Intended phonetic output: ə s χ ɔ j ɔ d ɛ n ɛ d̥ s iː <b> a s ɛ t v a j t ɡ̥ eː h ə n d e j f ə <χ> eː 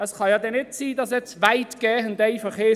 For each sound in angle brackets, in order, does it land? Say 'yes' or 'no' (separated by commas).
no, yes